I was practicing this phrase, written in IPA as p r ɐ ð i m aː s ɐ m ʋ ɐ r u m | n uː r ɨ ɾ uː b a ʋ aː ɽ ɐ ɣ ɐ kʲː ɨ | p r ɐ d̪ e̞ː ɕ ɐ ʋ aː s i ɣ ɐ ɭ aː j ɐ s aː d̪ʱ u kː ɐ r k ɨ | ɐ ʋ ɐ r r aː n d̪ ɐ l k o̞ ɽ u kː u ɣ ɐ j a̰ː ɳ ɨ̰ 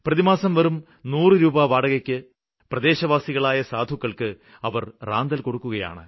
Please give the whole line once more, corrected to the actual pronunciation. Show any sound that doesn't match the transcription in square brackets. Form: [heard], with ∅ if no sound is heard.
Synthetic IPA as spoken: p r ɐ ð i m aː s ɐ m ʋ ɐ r u m | n uː r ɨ ɾ uː b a ʋ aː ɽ ɐ ɣ ɐ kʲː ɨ | p r ɐ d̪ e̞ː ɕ ɐ ʋ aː s i ɣ ɐ ɭ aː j ɐ s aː d̪ʱ u kː ɐ [ɭ] k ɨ | ɐ ʋ ɐ r r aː n d̪ ɐ l k o̞ ɽ u kː u ɣ ɐ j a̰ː ɳ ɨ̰

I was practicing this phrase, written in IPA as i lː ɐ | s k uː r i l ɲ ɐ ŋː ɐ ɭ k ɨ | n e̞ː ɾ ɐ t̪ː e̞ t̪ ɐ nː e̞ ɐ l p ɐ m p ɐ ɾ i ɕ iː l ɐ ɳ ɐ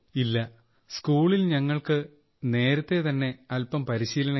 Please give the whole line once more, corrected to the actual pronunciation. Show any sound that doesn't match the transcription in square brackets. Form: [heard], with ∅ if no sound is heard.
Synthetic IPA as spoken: i lː ɐ | s k uː [ɭ] i l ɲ ɐ ŋː ɐ ɭ k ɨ | n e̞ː ɾ ɐ t̪ː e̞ t̪ ɐ nː e̞ ɐ l p ɐ m p ɐ ɾ i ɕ iː l ɐ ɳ ɐ

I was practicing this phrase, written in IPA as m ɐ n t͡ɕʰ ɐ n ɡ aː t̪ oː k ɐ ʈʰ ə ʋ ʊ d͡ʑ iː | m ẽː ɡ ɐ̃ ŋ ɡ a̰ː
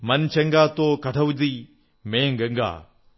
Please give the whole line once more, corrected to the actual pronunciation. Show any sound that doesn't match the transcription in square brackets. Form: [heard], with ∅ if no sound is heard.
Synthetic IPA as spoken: m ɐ n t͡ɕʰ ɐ [ŋ] ɡ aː t̪ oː k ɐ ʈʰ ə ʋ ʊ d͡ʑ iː | m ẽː ɡ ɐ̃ ŋ ɡ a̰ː

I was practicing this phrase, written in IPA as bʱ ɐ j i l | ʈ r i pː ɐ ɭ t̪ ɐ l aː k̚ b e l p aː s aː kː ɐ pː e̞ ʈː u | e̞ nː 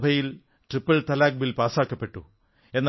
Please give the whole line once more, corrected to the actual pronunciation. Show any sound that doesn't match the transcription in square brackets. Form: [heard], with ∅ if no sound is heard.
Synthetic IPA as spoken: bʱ ɐ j i l | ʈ r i pː ɐ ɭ t̪ ɐ l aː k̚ b [i] l p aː s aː kː ɐ pː e̞ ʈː u | e̞ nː

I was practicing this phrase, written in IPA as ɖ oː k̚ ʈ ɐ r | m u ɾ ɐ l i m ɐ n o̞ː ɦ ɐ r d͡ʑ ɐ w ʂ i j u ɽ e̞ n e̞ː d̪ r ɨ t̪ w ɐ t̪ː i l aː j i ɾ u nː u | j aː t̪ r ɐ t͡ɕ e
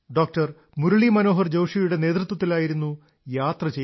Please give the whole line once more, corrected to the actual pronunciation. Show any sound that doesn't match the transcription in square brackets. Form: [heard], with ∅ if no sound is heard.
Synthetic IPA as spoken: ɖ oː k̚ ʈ ɐ r | m u ɾ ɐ [ɭ] i m ɐ n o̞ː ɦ ɐ r d͡ʑ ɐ w ʂ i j u ɽ e̞ n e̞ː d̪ r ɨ t̪ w ɐ t̪ː i l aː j i ɾ u nː u | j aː t̪ r ɐ t͡ɕ e

